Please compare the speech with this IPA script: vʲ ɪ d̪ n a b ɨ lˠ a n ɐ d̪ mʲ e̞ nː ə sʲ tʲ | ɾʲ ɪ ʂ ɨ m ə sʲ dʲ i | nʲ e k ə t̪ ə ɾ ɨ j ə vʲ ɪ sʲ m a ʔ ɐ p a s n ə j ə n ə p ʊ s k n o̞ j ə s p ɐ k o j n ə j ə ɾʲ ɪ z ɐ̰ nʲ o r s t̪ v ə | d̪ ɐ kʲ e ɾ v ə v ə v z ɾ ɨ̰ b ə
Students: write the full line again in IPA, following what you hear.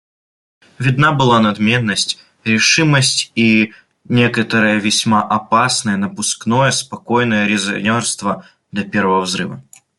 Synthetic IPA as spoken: vʲ ɪ d̪ n a b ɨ lˠ a n ɐ d̪ mʲ e̞ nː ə sʲ tʲ | ɾʲ ɪ ʂ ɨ m ə sʲ tʲ i | nʲ e k ə t̪ ə ɾ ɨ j ə vʲ ɪ sʲ m a ʔ ɐ p a s n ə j ə n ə p ʊ s k n o̞ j ə s p ɐ k o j n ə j ə ɾʲ ɪ z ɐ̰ nʲ o r s t̪ v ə | d̪ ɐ pʲ e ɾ v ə v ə v z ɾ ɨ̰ v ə